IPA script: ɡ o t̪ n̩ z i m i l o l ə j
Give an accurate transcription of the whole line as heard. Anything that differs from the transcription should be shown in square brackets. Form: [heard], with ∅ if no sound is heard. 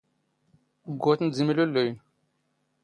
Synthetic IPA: ɡ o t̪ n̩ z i m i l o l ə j